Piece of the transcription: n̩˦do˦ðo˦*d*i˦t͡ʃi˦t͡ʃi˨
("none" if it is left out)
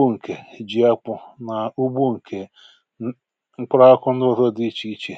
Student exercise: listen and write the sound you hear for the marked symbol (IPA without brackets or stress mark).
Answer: d